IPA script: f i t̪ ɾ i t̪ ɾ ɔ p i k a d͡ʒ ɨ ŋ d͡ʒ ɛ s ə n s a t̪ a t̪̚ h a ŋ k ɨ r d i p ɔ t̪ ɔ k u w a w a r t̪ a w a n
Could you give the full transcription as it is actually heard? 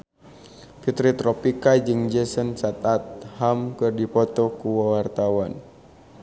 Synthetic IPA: f i t̪ ɾ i t̪ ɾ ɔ p i k a d͡ʒ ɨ ŋ d͡ʒ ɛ s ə n s a t̪ a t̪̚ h a m k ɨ r d i p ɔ t̪ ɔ k u w a w a r t̪ a w a n

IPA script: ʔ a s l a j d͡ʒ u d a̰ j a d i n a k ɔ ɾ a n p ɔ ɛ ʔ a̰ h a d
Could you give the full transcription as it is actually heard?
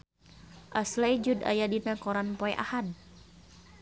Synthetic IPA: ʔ a s l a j d͡ʒ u d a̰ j a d i n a k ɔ ɾ a n p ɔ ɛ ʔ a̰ h a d

